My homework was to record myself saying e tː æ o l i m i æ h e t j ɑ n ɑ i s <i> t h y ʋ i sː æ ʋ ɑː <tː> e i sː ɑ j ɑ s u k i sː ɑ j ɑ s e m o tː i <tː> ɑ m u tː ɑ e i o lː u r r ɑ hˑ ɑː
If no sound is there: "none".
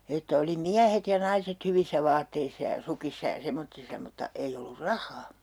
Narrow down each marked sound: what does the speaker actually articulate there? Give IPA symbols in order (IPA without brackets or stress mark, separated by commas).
e, tː, sː